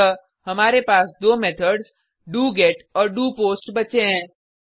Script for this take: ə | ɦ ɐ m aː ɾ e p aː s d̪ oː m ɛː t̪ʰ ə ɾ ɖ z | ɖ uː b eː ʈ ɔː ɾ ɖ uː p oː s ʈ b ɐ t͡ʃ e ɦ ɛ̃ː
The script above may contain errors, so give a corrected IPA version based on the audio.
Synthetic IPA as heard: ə | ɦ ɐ m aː ɾ e p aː s d̪ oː m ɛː t̪ʰ ə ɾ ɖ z | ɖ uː ɡ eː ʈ ɔː ɾ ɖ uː p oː s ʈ b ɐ t͡ʃ e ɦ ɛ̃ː